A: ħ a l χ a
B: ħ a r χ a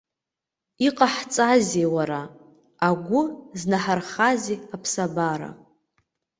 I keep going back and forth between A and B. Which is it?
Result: B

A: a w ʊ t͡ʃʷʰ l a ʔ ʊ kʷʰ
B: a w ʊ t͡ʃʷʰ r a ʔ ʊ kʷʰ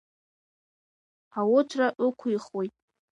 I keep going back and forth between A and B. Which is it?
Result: B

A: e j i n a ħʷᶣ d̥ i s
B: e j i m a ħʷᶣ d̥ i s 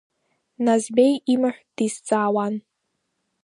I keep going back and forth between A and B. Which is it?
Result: B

